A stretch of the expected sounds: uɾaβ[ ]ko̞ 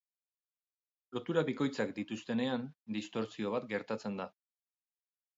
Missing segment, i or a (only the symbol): i